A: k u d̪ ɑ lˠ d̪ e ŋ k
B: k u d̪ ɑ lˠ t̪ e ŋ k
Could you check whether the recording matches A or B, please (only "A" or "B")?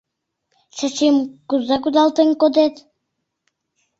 B